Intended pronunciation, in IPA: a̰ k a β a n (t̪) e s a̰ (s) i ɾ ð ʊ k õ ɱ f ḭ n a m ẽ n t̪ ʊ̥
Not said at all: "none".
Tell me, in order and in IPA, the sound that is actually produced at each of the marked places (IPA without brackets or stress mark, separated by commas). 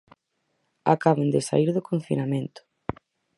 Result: d̪, none